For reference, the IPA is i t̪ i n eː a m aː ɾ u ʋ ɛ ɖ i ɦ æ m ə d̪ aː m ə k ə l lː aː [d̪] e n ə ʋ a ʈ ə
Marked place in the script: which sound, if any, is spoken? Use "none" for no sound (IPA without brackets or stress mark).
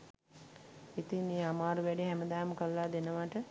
d̪